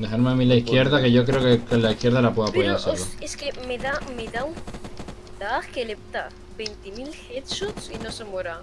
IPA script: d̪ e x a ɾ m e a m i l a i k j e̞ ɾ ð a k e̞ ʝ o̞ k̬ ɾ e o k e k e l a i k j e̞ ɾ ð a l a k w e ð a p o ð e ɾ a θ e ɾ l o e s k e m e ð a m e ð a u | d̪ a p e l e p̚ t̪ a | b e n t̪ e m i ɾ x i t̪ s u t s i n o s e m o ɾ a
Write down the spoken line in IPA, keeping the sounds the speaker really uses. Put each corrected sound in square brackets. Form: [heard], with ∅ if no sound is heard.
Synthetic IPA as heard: d̪ e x a ɾ m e a m i l a i k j e̞ ɾ ð a k e̞ ʝ o̞ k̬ ɾ e o k e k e l a i k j e̞ ɾ ð a l a [p] w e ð a p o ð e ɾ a [s] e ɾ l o e s k e m e ð a m e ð a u | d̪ a [k] e l e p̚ t̪ a | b e n t̪ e m i [l] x [e] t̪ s u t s i n o s e m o ɾ a